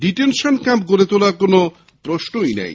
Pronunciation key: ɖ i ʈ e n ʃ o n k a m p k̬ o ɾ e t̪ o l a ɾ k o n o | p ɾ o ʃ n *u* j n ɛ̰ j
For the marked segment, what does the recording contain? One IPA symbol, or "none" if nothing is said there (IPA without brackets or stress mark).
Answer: o